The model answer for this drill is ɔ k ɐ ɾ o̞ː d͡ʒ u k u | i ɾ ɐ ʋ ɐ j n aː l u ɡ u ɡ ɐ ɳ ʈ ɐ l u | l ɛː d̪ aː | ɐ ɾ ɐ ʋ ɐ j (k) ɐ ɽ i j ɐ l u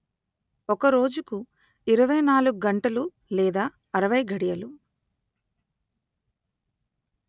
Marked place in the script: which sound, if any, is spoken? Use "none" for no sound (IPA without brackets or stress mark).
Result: ɡ